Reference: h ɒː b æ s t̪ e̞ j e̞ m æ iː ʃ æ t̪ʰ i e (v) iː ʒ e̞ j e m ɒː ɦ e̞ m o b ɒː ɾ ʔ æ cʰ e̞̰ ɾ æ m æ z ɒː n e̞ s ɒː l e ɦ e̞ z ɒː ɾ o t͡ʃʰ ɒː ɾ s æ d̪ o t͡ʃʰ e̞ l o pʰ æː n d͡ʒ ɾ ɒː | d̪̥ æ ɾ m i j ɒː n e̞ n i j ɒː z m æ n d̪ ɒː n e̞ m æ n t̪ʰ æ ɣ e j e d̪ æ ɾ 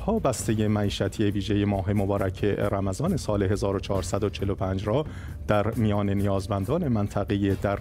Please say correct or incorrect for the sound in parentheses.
correct